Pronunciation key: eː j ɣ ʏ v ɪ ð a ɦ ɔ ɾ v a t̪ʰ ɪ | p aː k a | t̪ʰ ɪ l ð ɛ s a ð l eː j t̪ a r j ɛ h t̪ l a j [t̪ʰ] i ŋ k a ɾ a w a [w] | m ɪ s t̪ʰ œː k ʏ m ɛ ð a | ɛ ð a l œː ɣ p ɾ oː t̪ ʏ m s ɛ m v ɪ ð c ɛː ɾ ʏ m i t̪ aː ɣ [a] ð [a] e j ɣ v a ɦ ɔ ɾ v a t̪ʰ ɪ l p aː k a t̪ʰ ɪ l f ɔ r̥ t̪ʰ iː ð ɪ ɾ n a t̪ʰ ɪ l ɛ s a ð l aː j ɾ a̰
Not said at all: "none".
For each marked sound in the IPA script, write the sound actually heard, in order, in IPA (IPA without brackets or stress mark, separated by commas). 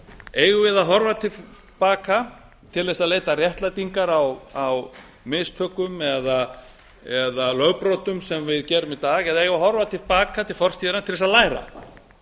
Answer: t̪, w, ɛ, a